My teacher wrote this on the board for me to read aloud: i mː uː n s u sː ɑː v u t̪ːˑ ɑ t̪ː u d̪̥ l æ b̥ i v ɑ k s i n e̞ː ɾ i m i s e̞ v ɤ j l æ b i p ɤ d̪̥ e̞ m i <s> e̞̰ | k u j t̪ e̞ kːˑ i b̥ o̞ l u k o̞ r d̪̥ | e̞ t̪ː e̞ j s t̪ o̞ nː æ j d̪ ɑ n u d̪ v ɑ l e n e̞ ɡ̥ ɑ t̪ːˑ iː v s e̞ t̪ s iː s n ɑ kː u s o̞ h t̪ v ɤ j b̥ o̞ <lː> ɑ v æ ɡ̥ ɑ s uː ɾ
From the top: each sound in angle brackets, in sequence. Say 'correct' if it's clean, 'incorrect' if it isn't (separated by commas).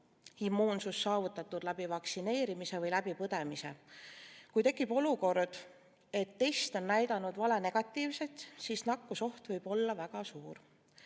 correct, correct